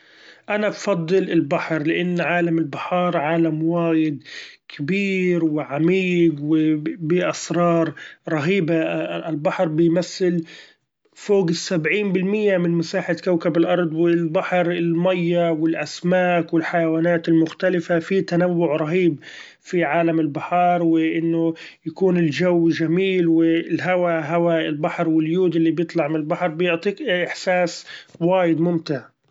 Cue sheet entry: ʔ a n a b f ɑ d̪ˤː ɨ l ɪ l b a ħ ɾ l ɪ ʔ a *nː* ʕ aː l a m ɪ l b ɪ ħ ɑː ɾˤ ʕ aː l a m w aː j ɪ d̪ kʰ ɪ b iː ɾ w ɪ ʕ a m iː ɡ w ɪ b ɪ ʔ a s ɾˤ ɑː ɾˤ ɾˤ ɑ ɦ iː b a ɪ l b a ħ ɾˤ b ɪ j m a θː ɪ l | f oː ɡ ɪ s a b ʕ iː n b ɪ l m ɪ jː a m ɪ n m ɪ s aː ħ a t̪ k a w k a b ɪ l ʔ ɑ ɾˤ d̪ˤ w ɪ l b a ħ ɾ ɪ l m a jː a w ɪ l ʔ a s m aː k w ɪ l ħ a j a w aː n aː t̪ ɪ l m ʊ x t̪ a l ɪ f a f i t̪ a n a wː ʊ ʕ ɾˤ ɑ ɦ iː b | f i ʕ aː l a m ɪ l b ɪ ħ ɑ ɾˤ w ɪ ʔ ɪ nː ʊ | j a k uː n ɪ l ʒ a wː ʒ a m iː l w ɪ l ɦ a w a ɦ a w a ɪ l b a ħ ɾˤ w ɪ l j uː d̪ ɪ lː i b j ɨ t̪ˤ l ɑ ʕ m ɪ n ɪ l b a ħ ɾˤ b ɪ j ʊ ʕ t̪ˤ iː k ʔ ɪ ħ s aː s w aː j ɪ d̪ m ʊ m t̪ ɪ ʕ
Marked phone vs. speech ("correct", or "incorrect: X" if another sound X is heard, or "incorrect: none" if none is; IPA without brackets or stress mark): correct